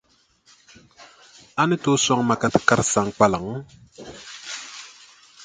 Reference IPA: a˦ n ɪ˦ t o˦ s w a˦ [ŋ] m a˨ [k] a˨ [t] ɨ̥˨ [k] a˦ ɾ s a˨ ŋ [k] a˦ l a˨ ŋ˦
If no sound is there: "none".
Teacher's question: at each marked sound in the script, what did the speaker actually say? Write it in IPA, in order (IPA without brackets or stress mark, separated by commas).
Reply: ŋ, k, t, k, k͡p